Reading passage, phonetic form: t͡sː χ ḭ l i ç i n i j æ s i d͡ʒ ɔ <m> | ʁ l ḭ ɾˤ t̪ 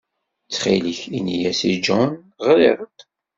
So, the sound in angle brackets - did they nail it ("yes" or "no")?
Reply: no